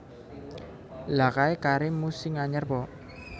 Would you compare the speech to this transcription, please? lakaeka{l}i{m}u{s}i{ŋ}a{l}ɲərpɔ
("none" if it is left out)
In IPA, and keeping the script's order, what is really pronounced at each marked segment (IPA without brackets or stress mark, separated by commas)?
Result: ɾ, m, s, ŋ, none